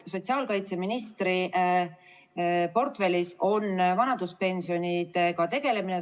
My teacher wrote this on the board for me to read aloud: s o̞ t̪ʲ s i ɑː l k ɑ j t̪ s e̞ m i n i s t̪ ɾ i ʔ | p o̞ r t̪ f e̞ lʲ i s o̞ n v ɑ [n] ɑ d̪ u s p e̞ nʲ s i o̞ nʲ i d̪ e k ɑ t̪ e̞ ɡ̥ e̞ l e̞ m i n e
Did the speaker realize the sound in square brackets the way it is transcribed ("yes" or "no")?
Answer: yes